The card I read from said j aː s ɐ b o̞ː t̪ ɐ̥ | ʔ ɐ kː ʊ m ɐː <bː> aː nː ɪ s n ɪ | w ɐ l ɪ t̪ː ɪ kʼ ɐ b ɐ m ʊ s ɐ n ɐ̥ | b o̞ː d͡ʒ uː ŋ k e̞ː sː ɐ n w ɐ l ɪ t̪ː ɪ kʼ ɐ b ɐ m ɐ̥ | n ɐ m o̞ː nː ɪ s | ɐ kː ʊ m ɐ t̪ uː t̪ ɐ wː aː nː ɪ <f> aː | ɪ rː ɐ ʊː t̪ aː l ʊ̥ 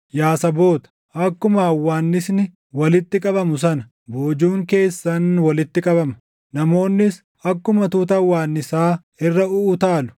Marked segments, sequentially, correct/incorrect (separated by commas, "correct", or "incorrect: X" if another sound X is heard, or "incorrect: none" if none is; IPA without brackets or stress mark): incorrect: wː, incorrect: s